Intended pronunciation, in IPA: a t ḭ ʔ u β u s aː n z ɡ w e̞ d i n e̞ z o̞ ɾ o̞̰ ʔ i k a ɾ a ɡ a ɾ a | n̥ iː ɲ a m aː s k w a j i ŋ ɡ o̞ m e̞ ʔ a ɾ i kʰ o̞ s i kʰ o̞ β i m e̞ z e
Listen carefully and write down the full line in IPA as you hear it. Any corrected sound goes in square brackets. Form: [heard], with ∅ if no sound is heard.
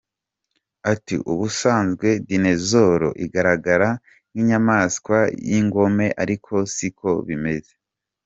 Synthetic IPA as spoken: a t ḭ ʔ u β u s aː n z ɡ w e̞ d i n e̞ z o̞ ɾ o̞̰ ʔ i [ɡ] a ɾ a ɡ a ɾ a | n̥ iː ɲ a m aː s k w a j i ŋ ɡ o̞ m e̞ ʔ a ɾ i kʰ o̞ s i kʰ o̞ β i m e̞ z e